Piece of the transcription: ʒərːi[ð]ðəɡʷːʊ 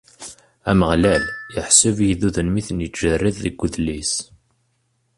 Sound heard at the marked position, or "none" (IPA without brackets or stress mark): ð